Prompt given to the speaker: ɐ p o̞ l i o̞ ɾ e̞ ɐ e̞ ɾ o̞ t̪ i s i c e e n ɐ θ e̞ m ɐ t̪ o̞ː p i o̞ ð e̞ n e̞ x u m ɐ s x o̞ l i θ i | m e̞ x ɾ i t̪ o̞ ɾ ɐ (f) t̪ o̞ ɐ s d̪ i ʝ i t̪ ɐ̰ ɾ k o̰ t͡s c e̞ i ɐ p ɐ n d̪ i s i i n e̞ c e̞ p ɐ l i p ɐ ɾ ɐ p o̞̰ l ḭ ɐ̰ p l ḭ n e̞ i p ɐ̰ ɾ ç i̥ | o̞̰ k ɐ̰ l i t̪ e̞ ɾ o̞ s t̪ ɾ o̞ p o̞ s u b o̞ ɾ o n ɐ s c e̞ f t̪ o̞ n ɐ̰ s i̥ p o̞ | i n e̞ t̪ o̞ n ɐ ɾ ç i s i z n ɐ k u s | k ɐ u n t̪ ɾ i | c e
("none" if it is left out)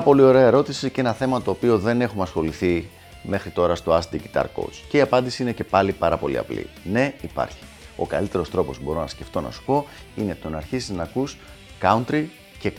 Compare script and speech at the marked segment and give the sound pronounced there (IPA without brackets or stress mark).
s